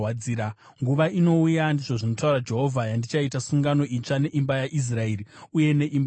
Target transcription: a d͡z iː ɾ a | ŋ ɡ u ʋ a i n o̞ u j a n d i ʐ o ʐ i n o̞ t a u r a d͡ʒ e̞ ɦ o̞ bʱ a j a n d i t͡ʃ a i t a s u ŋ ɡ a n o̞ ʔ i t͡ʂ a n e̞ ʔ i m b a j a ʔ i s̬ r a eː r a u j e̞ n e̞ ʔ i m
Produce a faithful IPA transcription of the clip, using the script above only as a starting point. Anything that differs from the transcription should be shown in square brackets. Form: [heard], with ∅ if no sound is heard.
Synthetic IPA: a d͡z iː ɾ a | ŋ ɡ u ʋ a i n o̞ u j a n d i ʐ o ʐ i n o̞ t a u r a d͡ʒ e̞ ɦ o̞ [vʱ] a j a n d i t͡ʃ a i t a s u ŋ ɡ a n o̞ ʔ i t͡ʂ a n e̞ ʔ i m b a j a ʔ i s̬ r a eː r [i] u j e̞ n e̞ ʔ i m